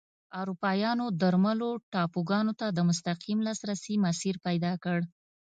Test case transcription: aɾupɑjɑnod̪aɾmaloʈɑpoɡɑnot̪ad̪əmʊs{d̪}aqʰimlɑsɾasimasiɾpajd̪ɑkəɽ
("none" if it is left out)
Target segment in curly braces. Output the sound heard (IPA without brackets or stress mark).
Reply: t̪